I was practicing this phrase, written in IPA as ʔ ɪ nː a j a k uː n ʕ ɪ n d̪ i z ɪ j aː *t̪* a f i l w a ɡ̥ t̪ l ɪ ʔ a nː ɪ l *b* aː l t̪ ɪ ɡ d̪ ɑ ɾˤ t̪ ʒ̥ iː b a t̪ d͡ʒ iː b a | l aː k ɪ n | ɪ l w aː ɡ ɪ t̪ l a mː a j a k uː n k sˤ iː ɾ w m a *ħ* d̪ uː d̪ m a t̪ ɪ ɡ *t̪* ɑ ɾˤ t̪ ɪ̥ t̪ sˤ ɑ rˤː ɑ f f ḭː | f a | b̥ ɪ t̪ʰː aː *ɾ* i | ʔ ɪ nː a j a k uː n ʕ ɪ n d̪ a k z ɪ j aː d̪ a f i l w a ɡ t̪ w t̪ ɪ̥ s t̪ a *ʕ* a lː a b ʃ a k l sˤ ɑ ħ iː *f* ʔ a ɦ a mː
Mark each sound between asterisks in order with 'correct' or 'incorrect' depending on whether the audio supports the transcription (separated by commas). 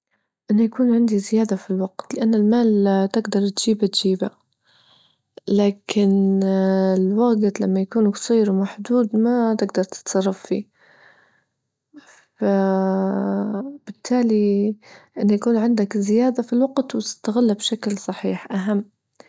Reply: incorrect, incorrect, correct, incorrect, incorrect, incorrect, incorrect